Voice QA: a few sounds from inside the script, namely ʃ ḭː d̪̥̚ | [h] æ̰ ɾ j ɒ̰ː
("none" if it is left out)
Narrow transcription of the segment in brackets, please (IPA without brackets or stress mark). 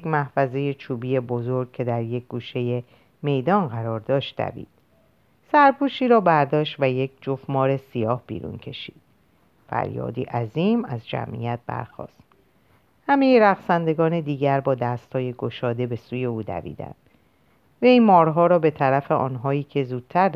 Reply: f